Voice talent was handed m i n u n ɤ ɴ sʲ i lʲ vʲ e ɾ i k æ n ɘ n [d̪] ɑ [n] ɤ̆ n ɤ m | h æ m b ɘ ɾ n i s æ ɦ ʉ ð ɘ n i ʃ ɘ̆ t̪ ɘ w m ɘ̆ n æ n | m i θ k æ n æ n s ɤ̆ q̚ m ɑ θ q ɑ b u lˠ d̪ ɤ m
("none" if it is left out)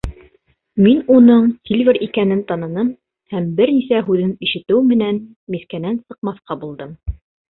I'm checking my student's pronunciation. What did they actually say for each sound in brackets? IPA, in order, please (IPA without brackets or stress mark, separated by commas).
t̪, n